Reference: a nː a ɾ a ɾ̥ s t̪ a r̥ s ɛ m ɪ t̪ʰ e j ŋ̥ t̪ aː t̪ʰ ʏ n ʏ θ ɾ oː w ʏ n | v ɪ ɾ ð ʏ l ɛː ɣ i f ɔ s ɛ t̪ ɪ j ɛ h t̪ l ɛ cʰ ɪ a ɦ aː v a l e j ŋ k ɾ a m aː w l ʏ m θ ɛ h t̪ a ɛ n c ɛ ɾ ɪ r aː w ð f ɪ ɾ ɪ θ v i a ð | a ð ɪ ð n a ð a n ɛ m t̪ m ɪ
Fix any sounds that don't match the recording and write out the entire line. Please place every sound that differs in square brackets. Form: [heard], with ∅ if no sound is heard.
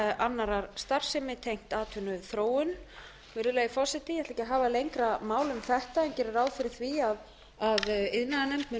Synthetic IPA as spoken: a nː a ɾ a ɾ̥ s t̪ a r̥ s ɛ m ɪ t̪ʰ e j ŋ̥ t̪ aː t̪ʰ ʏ n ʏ θ ɾ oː w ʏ n | v ɪ ɾ ð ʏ l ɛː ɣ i f ɔ s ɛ t̪ ɪ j ɛ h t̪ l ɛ [c] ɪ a ɦ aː v a l e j ŋ k ɾ a m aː w l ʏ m θ ɛ h t̪ a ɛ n c ɛ ɾ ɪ [ɾ] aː w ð f ɪ ɾ ɪ θ v i a ð | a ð ɪ ð n a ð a n ɛ m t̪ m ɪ